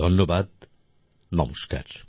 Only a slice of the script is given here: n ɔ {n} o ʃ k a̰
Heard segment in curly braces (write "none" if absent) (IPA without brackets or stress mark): m